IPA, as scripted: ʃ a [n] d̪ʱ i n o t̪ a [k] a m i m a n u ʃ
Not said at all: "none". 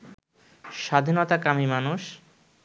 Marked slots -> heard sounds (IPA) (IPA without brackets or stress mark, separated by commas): none, k